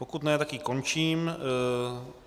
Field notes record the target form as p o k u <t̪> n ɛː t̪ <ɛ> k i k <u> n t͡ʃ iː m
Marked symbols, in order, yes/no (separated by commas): yes, no, no